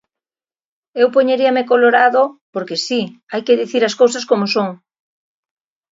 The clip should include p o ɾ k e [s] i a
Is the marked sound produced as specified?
yes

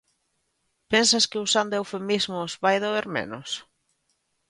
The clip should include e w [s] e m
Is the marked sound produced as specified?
no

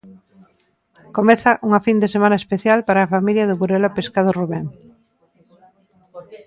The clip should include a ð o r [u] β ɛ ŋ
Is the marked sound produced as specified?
yes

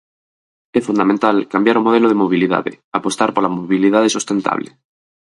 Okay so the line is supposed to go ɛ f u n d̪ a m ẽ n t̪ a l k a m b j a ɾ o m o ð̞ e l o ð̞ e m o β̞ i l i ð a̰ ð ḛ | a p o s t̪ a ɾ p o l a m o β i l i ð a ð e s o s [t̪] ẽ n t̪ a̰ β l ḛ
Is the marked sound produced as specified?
yes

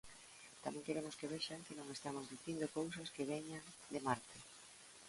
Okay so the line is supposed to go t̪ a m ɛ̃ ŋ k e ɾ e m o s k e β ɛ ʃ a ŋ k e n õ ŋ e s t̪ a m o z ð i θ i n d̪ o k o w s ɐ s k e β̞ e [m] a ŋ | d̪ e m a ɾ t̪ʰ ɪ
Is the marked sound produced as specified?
no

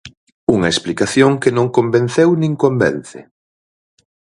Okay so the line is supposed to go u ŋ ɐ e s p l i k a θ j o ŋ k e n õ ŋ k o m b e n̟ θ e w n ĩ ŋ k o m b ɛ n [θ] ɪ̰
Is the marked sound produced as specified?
yes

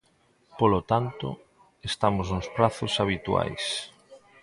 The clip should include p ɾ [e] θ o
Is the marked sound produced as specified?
no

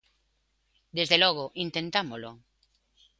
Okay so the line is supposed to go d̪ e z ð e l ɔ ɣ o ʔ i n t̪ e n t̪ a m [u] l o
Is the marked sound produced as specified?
no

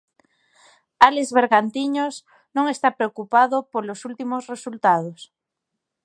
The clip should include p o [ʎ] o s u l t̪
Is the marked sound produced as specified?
no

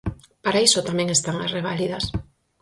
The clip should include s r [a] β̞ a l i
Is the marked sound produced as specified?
no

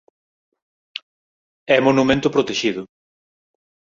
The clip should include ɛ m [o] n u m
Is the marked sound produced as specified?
yes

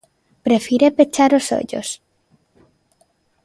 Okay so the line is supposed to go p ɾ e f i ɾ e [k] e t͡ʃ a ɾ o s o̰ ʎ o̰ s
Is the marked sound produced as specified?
no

